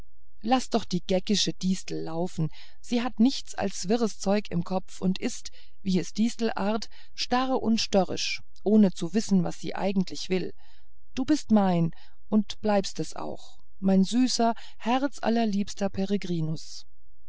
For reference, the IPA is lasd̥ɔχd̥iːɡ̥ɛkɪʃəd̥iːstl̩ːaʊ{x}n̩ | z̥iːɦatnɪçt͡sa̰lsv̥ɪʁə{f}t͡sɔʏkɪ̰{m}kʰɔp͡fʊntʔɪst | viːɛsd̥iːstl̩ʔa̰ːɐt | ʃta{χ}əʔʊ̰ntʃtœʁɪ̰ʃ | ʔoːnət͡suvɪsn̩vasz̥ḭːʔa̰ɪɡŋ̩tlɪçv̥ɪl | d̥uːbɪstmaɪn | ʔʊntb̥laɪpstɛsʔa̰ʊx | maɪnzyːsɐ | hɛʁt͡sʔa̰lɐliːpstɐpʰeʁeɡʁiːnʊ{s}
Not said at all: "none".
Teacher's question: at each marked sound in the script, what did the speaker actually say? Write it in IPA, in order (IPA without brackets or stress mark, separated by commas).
f, s, m, ʁ, s